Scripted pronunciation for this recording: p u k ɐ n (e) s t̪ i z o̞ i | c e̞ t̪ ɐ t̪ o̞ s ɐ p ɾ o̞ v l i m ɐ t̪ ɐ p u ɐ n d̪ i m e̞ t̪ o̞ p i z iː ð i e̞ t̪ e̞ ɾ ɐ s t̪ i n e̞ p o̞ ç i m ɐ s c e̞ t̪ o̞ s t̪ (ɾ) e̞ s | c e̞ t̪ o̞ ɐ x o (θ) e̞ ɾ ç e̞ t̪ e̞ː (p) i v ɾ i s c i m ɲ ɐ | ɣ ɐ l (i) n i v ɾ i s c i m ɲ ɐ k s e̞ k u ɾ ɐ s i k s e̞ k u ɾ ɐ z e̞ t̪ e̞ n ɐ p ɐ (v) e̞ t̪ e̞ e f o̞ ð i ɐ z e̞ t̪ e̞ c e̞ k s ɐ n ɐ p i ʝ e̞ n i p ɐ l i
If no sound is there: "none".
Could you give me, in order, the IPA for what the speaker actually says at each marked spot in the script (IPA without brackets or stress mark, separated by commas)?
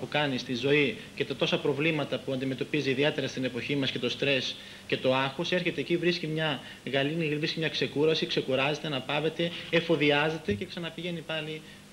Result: i, ɾ, s, c, i, v